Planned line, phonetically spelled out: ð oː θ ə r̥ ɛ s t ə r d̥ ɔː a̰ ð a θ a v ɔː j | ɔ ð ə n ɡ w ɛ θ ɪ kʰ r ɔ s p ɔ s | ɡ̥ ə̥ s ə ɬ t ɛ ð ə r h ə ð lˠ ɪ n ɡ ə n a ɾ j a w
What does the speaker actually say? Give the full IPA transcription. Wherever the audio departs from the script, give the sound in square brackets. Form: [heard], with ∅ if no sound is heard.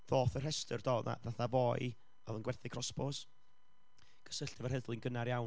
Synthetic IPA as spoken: ð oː θ ə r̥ ɛ s t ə r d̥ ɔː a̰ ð a θ a v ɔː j | ɔ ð ə n ɡ w ɛ θ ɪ kʰ r ɔ s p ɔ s | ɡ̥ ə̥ s ə ɬ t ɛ [v] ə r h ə ð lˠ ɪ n ɡ ə n a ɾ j a w